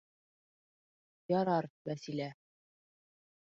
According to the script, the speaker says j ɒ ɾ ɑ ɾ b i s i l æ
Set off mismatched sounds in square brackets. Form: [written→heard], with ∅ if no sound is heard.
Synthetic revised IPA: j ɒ ɾ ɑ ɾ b [i→æ] s i l æ